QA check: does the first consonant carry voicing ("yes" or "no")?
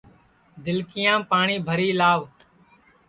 yes